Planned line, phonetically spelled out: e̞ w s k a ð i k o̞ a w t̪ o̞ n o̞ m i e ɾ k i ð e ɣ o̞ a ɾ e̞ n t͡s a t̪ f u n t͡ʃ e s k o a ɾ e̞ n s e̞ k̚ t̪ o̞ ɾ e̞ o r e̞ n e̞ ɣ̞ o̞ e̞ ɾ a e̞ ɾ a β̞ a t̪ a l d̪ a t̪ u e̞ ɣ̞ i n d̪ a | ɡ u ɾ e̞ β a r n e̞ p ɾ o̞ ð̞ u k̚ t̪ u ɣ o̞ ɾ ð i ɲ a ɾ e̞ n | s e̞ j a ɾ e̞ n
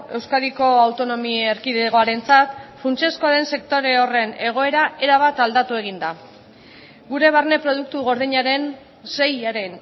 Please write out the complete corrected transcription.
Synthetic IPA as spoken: e̞ w s k a ð i k o̞ a w t̪ o̞ n o̞ m i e ɾ k i ð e ɣ o̞ a ɾ e̞ n t͡s a t̪ f u n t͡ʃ e s k o a ɾ e̞ n s e̞ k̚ t̪ o̞ ɾ e̞ o r e̞ n e̞ ɣ̞ o̞ e̞ ɾ a e̞ ɾ a β̞ a t̪ a l d̪ a t̪ u e̞ ɣ̞ i n d̪ a | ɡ u ɾ e̞ β a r n e̞ p ɾ o̞ ð̞ u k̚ t̪ u ɣ o̞ ɾ ð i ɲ a ɾ e̞ n | s e̞ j a ɾ e̞ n

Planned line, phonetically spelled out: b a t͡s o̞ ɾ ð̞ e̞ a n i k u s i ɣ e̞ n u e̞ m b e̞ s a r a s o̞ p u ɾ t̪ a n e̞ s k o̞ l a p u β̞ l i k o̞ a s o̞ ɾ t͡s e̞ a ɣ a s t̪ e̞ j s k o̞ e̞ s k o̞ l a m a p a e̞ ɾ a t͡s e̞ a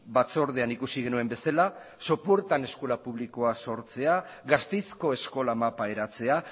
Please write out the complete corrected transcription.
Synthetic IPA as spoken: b a t͡s o̞ ɾ ð̞ e̞ a n i k u s i ɣ e̞ n u e̞ m b e̞ s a l a s o̞ p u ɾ t̪ a n e̞ s k o̞ l a p u β̞ l i k o̞ a s o̞ ɾ t͡s e̞ a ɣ a s t̪ e̞ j s k o̞ e̞ s k o̞ l a m a p a e̞ ɾ a t͡s e̞ a

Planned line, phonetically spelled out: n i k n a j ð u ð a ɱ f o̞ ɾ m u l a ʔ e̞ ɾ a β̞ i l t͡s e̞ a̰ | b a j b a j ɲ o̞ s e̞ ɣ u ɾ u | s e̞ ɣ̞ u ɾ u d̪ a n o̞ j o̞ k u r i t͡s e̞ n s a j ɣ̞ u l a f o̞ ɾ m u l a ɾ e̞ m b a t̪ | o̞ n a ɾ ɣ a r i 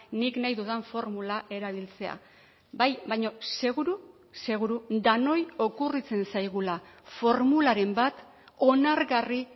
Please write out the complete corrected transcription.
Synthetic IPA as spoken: n i k n a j ð u ð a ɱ f o̞ ɾ m u l a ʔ e̞ ɾ a β̞ i l t͡s e̞ a̰ | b a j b a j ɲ o̞ s e̞ ɣ u ɾ u | s e̞ ɣ̞ u ɾ u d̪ a n o̞ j o̞ k u r i t͡s e̞ n s a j ɣ̞ u l a f o̞ ɾ m u l a ɾ e̞ m b a t̪ | o̞ n a ɾ ɣ a r i

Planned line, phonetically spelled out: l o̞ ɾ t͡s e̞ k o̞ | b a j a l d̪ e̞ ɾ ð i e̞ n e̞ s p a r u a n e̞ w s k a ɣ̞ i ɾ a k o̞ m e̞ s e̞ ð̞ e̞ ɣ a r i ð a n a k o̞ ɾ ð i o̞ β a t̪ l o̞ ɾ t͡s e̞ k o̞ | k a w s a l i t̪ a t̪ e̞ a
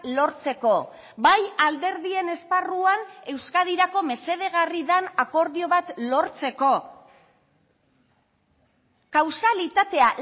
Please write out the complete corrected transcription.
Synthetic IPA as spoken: l o̞ ɾ t͡s e̞ k o̞ | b a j a l d̪ e̞ ɾ ð i e̞ n e̞ s p a r u a n e̞ w s k a ð̞ i ɾ a k o̞ m e̞ s e̞ ð̞ e̞ ɣ a r i ð a n a k o̞ ɾ ð i o̞ β a t̪ l o̞ ɾ t͡s e̞ k o̞ | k a w s a l i t̪ a t̪ e̞ a

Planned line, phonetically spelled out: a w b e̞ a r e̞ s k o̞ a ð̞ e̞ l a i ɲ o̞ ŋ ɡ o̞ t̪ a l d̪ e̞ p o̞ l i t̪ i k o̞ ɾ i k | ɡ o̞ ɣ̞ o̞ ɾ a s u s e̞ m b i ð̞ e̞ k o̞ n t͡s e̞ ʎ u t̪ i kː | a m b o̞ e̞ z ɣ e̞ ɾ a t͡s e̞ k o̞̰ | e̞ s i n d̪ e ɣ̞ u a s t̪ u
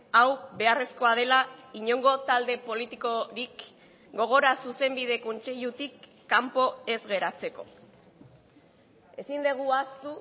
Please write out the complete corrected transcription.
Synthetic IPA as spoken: a w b e̞ a r e̞ s k o̞ a ð̞ e̞ l a i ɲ o̞ ŋ ɡ o̞ t̪ a l d̪ e̞ p o̞ l i t̪ i k o̞ ɾ i k | ɡ o̞ ɣ̞ o̞ ɾ a s u s e̞ m b i ð̞ e̞ k o̞ n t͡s e̞ ʎ u t̪ i kː | a m p o̞ e̞ z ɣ e̞ ɾ a t͡s e̞ k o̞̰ | e̞ s i n d̪ e ɣ̞ u a s t̪ u

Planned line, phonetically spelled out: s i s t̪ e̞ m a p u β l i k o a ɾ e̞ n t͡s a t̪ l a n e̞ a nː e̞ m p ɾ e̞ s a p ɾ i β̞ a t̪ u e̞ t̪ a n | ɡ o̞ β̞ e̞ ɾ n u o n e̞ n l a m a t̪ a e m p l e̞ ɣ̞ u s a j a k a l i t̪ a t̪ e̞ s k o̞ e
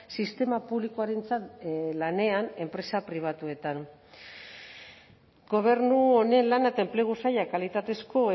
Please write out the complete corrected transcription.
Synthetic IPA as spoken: s i s t̪ e̞ m a p u β l i k o a ɾ e̞ n t͡s a t̪ l a n e̞ a n e̞ m p ɾ e̞ s a p ɾ i β̞ a t̪ u e̞ t̪ a n | ɡ o̞ β̞ e̞ ɾ n u o n e̞ n l a n a t̪ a e m p l e̞ ɣ̞ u s a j a k a l i t̪ a t̪ e̞ s k o̞ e

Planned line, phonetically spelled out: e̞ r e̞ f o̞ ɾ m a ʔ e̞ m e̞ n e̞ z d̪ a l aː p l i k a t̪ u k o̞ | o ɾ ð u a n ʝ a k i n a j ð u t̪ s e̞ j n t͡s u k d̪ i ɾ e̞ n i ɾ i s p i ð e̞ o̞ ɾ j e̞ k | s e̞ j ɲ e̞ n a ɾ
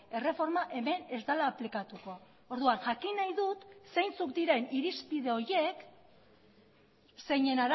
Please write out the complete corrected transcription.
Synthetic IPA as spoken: e̞ r e̞ f o̞ ɾ m a ʔ e̞ m e̞ n e̞ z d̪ a l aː p l i k a t̪ u k o̞ | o ɾ ð u a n ʝ a k i n a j ð u t̪ s e̞ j n t͡s u k d̪ i ɾ e̞ n i ɾ i s p i ð e̞ o̞ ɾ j e̞ k | s e̞ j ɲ e̞ n a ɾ

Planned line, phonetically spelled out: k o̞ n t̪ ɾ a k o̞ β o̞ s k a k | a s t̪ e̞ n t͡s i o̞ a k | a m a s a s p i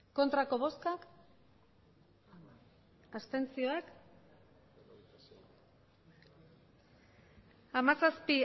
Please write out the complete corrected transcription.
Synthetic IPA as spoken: k o̞ n t̪ ɾ a k o̞ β o̞ s k a k | a s t̪ e̞ n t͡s i o̞ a k | a m a s a s p i

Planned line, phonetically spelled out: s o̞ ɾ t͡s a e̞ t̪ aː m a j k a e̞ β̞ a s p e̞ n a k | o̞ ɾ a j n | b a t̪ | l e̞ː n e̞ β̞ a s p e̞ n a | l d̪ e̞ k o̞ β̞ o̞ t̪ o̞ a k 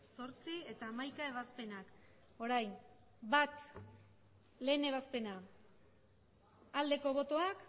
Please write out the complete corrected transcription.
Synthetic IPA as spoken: s o̞ ɾ t͡s i e̞ t̪ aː m a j k a e̞ β̞ a s p e̞ n a k | o̞ ɾ a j n | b a t̪ | l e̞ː n e̞ β̞ a s p e̞ n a | l d̪ e̞ k o̞ β̞ o̞ t̪ o̞ a k

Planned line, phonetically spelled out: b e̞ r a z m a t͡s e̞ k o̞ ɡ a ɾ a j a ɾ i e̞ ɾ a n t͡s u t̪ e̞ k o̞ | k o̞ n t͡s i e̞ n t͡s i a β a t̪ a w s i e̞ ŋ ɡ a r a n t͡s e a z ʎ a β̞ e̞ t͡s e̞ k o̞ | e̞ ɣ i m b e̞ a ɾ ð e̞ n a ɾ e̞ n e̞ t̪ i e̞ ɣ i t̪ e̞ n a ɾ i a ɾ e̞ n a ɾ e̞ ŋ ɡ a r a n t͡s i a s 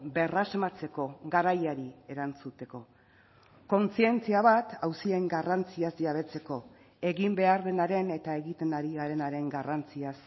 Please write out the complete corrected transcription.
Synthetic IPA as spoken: b e̞ r a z m a t͡s e̞ k o̞ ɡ a ɾ a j a ɾ i e̞ ɾ a n t͡s u t̪ e̞ k o̞ | k o̞ n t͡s i e̞ n t͡s i a β a t̪ a w s i e̞ ŋ ɡ a r a n t͡s i a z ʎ a β̞ e̞ t͡s e̞ k o̞ | e̞ ɣ i m b e̞ a ɾ ð e̞ n a ɾ e̞ n e̞ t̪ a e̞ ɣ i t̪ e̞ n a ɾ i a ɾ e̞ n a ɾ e̞ ŋ ɡ a r a n t͡s i a s

